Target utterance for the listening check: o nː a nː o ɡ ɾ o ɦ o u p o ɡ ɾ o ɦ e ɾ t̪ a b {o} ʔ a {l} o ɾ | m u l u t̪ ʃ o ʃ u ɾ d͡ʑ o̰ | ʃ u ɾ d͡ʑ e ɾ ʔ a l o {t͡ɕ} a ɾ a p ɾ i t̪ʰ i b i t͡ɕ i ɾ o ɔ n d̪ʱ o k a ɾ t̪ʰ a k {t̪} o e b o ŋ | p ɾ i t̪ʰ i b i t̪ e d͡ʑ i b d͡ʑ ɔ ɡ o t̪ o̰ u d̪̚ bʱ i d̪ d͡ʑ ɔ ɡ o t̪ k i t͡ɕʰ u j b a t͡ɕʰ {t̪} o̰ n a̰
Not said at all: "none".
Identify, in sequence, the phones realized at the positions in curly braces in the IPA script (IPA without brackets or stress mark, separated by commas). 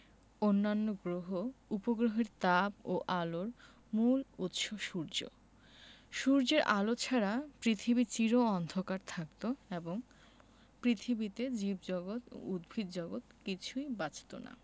o, l, t͡ɕʰ, t̪, t̪